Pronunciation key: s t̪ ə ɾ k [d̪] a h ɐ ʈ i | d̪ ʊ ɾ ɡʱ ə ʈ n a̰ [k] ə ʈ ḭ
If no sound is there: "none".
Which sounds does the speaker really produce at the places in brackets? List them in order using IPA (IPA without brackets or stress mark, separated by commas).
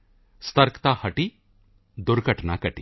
t̪, k